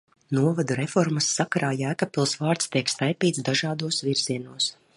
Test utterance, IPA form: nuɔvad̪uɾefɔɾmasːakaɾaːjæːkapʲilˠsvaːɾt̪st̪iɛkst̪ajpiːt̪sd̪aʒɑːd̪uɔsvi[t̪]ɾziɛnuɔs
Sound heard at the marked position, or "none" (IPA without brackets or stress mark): none